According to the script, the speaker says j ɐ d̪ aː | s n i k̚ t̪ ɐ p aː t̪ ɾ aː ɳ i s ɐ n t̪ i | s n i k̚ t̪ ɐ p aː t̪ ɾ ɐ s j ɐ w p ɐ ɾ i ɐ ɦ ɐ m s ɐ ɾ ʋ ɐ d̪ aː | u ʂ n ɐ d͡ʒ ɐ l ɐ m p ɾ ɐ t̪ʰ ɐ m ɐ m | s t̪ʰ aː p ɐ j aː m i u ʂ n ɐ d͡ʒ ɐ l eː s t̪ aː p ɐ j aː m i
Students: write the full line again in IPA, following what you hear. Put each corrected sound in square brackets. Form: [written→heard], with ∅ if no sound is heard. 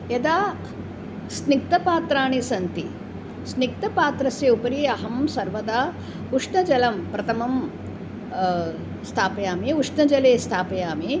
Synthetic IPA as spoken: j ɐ d̪ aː | s n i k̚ t̪ ɐ p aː t̪ ɾ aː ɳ i s ɐ n t̪ i | s n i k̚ t̪ ɐ p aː t̪ ɾ ɐ s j ɐ [w→u] p ɐ ɾ i ɐ ɦ ɐ m s ɐ ɾ ʋ ɐ d̪ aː | u ʂ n ɐ d͡ʒ ɐ l ɐ m p ɾ ɐ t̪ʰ ɐ m ɐ m | s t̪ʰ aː p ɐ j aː m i u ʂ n ɐ d͡ʒ ɐ l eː s [t̪→t̪ʰ] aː p ɐ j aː m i